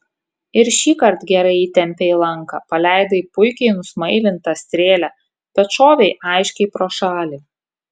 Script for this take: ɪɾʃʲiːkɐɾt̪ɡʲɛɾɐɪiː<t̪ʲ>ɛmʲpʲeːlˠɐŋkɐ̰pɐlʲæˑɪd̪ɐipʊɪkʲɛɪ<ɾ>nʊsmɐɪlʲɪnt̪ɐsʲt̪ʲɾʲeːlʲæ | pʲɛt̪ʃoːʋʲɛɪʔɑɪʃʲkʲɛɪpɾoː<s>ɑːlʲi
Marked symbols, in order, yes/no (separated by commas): yes, no, no